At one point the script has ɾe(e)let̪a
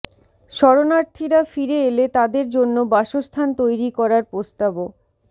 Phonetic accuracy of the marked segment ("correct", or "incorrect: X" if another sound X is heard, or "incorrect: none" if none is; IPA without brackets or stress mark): correct